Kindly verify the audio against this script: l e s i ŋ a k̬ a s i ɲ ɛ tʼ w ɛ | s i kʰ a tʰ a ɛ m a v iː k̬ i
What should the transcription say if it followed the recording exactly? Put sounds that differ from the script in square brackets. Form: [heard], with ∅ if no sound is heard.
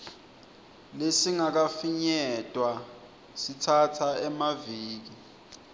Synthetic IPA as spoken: l e s i ŋ a k̬ a [f] i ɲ ɛ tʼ w [a] | s i [tʰ] a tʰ a ɛ m a v iː k̬ i